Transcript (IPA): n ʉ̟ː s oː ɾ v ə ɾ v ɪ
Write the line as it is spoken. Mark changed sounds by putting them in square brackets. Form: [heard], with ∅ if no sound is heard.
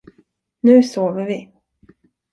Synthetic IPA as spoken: n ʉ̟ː s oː [∅] v ə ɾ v ɪ